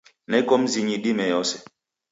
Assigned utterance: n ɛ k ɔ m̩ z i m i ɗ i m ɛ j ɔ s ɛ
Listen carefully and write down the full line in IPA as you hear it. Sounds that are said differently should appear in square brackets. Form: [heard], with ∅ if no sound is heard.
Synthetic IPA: n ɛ k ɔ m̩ z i [ɲ] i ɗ i m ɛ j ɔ s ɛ